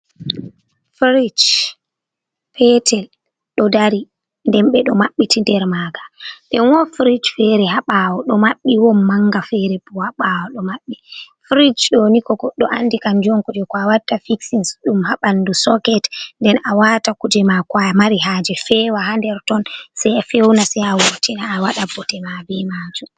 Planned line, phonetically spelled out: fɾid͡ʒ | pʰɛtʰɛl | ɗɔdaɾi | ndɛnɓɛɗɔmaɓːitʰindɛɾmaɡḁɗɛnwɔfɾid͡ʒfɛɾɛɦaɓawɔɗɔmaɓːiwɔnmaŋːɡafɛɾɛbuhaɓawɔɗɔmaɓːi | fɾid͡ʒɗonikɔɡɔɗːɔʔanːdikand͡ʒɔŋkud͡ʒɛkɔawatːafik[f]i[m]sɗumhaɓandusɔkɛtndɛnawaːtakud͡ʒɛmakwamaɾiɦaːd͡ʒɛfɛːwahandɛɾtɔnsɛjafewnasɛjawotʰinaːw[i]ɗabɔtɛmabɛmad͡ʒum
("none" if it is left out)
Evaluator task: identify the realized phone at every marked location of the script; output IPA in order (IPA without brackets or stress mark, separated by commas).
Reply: s, n, a